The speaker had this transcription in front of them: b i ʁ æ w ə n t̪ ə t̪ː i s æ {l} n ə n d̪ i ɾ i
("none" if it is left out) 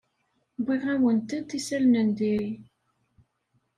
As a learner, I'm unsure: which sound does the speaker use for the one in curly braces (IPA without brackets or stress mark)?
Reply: l